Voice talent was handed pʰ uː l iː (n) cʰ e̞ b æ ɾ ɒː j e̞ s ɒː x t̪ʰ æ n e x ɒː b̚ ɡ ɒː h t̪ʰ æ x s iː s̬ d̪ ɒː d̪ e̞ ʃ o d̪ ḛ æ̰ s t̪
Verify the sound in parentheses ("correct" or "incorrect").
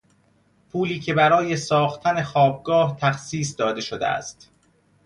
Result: incorrect